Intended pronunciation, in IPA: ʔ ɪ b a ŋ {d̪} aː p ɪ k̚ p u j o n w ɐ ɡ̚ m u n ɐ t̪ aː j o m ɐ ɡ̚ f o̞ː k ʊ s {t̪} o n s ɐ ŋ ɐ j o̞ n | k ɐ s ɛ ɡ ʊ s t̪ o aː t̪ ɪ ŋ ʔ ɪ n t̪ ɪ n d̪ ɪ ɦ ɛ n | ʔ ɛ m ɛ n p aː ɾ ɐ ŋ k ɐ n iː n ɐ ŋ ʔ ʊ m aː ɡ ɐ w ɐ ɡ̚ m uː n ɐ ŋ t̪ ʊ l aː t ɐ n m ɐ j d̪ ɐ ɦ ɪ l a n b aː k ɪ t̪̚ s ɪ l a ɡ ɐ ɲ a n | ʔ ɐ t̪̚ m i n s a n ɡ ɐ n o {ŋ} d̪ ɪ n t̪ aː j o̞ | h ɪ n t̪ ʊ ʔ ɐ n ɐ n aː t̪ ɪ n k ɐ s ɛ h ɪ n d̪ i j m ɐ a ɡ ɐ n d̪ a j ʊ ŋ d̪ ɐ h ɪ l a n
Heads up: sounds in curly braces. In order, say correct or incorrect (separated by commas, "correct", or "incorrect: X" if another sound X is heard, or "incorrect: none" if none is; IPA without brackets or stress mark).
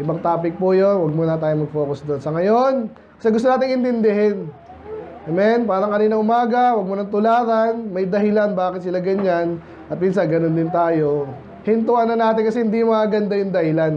incorrect: t̪, incorrect: d̪, incorrect: n